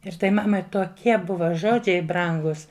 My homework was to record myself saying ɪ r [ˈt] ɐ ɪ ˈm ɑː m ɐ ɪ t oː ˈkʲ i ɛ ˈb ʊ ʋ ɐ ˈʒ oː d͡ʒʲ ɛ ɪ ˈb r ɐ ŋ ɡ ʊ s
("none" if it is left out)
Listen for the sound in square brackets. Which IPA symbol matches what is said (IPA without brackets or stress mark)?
t